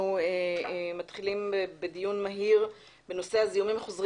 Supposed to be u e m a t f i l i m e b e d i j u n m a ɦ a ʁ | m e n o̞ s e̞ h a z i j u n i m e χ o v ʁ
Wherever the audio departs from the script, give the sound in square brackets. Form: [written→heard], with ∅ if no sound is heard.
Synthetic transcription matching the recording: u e m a t [f→χ] i l i m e b e d i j u n m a ɦ [a→i] ʁ | [m→b] e n o̞ s e̞ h a z i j u [n→m] i m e χ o [v→z] ʁ

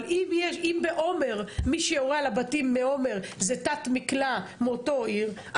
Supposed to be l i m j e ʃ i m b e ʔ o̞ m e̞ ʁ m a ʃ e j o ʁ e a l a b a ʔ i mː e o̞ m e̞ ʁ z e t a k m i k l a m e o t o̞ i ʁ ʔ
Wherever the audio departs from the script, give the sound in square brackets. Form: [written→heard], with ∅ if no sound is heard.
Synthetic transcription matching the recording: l i m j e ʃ i m b e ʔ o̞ m e̞ ʁ m [a→i] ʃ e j o ʁ e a l a b a [ʔ→t] i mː e o̞ m e̞ ʁ z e t a [k→t] m i k l a m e o t o̞ i ʁ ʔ

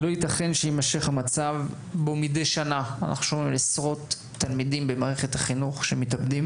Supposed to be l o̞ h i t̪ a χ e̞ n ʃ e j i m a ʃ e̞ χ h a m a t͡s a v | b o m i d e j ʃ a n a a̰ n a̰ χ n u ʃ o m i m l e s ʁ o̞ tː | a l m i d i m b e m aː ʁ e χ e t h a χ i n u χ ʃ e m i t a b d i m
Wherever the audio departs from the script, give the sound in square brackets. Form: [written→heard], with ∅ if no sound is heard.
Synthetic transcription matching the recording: l o̞ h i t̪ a χ e̞ n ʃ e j i m a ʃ e̞ χ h a m a t͡s a v | b o m i d e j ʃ a n a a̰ n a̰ χ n u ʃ o m i m l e s ʁ o̞ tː | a l m i d i m b e m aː ʁ e χ e t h a χ i n u χ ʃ e m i t a b d i m

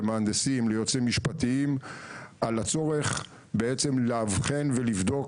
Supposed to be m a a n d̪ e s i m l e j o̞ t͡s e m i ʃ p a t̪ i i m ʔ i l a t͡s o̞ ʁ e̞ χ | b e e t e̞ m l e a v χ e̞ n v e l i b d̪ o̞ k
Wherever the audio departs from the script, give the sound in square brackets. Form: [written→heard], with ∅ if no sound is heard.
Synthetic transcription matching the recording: m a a n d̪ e s i m l e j o̞ t͡s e m i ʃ p a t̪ i i m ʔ [i→a] l a t͡s o̞ ʁ e̞ χ | b e e [t→t͡s] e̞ m l e a v χ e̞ n v e l i [b→v] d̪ o̞ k

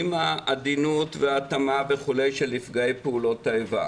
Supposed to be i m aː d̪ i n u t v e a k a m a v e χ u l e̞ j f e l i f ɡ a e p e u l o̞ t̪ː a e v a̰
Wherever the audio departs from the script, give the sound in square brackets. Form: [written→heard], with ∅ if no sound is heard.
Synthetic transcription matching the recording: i m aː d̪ i n u t v e a [k→t] a m a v e χ u l e̞ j [f→ʃ] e l i f ɡ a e p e u l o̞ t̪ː a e v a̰

